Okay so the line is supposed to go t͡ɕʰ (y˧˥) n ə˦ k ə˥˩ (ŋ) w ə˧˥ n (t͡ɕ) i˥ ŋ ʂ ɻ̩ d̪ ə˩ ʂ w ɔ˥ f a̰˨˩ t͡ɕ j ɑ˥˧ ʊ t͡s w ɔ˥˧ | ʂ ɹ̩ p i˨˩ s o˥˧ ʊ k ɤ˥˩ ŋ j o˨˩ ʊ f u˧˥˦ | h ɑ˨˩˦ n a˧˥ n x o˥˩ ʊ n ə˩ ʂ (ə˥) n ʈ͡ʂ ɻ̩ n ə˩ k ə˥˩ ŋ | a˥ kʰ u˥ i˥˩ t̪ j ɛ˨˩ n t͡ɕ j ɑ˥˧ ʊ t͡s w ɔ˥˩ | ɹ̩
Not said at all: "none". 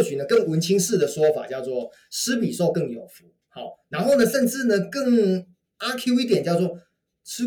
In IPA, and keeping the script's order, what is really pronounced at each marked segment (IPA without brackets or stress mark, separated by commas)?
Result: y˨˩, ŋ, t͡ɕʰ, ə˥˧